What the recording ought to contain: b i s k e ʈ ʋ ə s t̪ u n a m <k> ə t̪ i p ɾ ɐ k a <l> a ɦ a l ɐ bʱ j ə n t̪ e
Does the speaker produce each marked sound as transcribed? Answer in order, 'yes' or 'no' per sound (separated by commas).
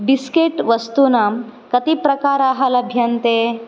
yes, no